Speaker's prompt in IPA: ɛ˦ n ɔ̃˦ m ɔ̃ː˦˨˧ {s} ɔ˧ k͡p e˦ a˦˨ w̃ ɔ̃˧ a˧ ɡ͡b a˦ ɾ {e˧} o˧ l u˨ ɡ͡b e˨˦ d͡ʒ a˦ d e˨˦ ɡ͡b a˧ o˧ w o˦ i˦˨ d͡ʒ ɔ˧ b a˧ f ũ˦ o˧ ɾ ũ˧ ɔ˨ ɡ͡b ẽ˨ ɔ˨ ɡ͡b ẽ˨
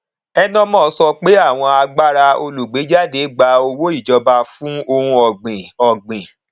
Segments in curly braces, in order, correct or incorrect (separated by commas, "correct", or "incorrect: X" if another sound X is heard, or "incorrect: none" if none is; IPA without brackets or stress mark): correct, incorrect: a˧